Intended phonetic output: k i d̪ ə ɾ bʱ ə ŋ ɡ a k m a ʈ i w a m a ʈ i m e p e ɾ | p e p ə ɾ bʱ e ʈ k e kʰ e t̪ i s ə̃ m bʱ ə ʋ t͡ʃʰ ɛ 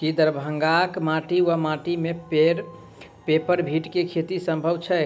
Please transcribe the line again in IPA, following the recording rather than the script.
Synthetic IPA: k i d̪ ə ɾ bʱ ə ŋ ɡ a k m a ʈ i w a m a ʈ i m e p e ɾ | p e p ə ɾ bʱ i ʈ k e kʰ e t̪ i s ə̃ m bʱ ə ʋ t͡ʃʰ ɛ